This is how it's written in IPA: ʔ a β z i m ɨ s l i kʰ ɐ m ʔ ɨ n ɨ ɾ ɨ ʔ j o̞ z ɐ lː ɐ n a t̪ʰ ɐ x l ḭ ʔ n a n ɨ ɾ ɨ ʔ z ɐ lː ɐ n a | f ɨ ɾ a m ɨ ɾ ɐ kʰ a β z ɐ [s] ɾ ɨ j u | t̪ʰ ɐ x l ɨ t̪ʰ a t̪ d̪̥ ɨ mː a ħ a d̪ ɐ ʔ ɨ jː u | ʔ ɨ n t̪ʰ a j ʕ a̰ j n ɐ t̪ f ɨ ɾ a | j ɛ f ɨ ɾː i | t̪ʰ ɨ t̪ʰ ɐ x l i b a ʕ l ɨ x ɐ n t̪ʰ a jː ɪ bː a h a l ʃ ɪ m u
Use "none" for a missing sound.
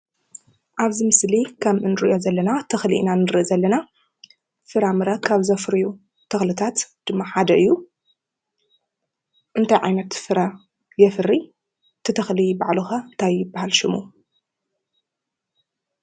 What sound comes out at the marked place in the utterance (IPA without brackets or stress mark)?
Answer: f